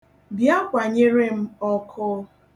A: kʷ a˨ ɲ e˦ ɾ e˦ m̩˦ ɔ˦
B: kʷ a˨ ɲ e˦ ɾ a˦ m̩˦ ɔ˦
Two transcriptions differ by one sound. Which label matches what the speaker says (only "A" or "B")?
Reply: A